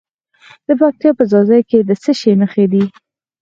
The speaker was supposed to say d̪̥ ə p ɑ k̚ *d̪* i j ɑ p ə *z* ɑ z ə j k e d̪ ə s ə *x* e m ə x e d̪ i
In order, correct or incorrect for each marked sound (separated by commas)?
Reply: incorrect, correct, incorrect